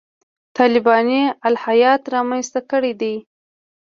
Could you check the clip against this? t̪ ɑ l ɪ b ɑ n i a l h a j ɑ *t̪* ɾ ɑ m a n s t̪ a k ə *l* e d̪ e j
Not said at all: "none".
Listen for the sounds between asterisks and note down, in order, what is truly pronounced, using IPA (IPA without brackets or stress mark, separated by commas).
t̪, ɽ